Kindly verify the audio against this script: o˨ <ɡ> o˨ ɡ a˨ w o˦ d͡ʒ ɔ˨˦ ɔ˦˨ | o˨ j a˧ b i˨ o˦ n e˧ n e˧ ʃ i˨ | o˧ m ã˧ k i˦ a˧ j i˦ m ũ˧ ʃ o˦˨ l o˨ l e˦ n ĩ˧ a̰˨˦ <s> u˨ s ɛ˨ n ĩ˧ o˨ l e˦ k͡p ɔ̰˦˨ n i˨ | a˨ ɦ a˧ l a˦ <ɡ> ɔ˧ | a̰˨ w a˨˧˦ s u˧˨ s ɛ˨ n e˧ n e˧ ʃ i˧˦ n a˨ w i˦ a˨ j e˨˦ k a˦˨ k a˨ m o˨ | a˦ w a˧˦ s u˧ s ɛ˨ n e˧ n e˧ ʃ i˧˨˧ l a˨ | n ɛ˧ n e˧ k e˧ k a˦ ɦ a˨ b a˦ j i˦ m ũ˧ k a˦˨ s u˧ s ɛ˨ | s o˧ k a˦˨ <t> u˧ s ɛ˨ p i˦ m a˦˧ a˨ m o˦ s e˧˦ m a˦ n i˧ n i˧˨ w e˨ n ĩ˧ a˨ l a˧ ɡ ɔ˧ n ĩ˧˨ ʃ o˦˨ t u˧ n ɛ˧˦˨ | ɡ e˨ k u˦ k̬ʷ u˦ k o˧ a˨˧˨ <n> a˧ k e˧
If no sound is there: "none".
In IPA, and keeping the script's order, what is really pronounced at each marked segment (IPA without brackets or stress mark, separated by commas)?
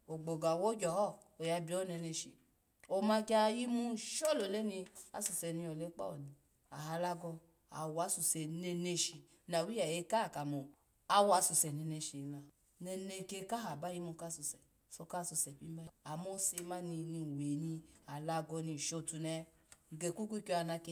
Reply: ɡ͡b, s, ɡ, s, n